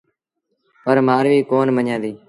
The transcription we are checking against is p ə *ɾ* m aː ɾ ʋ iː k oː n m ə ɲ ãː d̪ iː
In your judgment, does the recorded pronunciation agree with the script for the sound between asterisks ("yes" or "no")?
yes